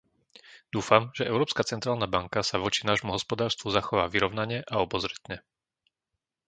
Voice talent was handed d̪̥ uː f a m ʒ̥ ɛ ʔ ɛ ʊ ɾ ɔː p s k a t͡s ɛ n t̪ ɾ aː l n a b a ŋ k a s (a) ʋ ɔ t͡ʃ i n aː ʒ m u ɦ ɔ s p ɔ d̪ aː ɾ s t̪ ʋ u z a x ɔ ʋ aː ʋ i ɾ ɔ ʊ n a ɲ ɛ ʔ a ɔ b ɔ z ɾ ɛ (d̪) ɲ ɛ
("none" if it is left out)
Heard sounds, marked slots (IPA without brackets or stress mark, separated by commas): a, t̪